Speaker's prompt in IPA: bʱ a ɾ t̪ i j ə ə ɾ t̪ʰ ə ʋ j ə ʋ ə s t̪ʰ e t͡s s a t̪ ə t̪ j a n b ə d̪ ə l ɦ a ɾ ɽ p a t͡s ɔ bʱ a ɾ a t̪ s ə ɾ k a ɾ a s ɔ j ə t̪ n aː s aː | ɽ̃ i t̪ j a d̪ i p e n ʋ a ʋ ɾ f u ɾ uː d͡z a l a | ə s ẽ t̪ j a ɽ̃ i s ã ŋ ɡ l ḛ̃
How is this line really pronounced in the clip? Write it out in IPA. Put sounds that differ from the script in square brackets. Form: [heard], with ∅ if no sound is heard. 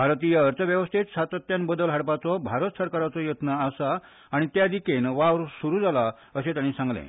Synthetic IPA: bʱ a ɾ t̪ i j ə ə ɾ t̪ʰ ə ʋ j ə ʋ ə s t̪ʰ e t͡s s a t̪ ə t̪ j a n b ə d̪ ə l ɦ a [∅] ɽ p a t͡s ɔ bʱ a ɾ [ə] t̪ s ə ɾ k a ɾ a [t͡s] ɔ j ə t̪ n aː s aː | ɽ̃ i t̪ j a d̪ i [k] e n ʋ a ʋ ɾ [s] u ɾ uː d͡z a l a | ə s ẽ t̪ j a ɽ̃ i s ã ŋ ɡ l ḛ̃